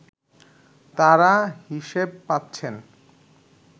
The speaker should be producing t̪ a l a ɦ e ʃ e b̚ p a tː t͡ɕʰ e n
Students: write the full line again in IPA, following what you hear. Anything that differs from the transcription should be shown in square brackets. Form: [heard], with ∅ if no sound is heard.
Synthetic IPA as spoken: t̪ a [ɾ] a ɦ [i] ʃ e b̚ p a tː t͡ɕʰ e n